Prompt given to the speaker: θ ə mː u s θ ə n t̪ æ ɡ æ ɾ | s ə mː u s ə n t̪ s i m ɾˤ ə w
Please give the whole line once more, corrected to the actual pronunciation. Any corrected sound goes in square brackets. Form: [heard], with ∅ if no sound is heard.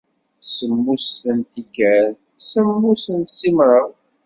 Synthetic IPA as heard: [s] ə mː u s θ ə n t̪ [i] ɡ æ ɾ | s ə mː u s ə n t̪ s i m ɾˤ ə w